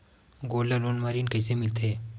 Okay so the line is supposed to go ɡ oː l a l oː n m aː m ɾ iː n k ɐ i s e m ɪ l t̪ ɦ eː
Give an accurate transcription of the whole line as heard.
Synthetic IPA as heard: ɡ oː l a l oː n m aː ɾ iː n k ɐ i s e m ɪ l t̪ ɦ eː